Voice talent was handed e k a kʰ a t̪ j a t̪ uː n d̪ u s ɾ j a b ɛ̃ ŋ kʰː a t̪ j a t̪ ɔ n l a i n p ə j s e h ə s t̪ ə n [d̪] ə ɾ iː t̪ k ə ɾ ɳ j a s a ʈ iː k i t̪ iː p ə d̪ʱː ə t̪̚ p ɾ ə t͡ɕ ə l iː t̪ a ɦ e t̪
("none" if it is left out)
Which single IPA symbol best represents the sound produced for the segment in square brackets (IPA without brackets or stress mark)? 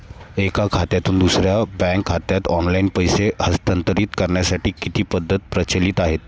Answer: t̪